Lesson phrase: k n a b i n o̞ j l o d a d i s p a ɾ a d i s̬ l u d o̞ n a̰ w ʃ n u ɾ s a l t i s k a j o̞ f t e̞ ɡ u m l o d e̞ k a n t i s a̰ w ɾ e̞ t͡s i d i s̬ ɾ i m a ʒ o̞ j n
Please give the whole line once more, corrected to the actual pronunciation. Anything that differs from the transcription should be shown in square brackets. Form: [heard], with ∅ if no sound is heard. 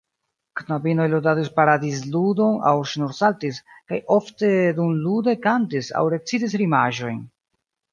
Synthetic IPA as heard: k n a b i n o̞ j l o d a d i s p a ɾ a d i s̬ l u d o̞ n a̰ w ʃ n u ɾ s a l t i s k a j o̞ f t e̞ [d] u m l [u] d e̞ k a n t i s a̰ w ɾ e̞ t͡s i d i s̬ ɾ i m a ʒ o̞ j n